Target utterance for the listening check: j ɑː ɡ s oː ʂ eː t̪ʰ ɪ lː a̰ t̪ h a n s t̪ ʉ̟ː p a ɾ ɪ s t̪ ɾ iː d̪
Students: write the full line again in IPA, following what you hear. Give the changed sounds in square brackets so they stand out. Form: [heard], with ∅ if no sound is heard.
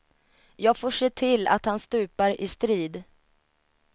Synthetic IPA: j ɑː ɡ [f] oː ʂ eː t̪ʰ ɪ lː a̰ t̪ h a n s t̪ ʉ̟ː p a ɾ ɪ s t̪ ɾ iː d̪